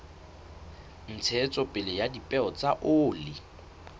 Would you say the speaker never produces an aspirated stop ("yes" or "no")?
no